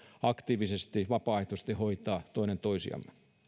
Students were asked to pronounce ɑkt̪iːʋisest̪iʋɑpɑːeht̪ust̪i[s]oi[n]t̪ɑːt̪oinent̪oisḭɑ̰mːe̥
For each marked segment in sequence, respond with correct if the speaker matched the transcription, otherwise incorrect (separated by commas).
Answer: incorrect, incorrect